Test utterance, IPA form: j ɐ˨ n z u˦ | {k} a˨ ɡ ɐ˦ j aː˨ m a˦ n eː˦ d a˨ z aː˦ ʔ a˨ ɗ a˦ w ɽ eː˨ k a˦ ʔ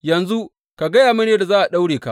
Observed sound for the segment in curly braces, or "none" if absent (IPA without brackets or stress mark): k